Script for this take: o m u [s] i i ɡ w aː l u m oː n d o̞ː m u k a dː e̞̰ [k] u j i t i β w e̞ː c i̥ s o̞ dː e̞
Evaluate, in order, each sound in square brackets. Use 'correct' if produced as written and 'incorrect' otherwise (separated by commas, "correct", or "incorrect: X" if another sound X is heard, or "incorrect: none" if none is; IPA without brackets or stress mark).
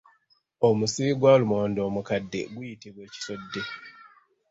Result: correct, incorrect: ɡ